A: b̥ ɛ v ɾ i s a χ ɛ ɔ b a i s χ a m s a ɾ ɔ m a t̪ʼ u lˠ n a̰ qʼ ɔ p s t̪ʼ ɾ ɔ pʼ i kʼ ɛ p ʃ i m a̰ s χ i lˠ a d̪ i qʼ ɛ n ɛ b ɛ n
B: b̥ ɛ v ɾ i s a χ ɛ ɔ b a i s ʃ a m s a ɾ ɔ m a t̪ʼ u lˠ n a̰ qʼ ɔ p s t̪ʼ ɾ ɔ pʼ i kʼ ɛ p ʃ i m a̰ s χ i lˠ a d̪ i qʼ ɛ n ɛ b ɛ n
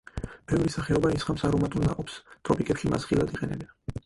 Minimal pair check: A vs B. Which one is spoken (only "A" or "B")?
A